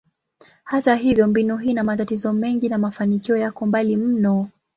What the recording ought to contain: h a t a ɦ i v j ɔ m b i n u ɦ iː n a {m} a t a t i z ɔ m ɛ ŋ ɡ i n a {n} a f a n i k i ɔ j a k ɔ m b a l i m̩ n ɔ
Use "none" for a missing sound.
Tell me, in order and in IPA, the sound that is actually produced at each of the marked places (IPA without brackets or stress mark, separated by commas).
m, m